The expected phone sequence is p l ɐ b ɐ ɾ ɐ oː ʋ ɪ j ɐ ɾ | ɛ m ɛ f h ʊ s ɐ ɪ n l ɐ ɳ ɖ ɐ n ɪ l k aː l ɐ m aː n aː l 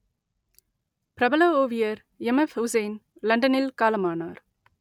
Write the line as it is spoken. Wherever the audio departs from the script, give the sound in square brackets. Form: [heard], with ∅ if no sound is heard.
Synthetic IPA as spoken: p [ɾ] ɐ b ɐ [l] ɐ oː ʋ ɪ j ɐ ɾ | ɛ m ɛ f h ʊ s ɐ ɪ n l ɐ ɳ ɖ ɐ n ɪ l k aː l ɐ m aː n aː [ɾ]

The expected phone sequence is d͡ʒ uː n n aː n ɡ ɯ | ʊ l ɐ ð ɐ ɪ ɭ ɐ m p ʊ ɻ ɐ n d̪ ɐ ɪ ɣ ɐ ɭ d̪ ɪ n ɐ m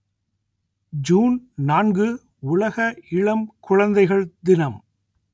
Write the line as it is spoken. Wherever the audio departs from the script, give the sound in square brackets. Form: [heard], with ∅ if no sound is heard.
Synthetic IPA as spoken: d͡ʒ uː n n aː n ɡ ɯ | ʊ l ɐ [ɣ] ɐ ɪ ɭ ɐ m [k] ʊ ɻ ɐ n d̪ ɐ ɪ ɣ ɐ ɭ d̪ ɪ n ɐ m

